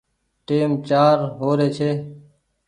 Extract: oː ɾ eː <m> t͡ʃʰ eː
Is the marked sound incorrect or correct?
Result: incorrect